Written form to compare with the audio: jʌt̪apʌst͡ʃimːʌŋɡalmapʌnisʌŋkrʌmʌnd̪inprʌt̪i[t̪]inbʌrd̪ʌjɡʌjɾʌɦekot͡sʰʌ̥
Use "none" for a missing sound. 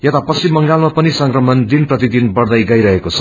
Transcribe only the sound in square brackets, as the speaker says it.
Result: d̪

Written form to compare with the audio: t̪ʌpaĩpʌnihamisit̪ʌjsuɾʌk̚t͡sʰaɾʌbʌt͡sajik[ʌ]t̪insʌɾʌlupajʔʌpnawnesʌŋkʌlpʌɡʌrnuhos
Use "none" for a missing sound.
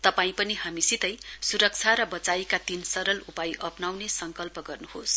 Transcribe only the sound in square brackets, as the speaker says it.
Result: a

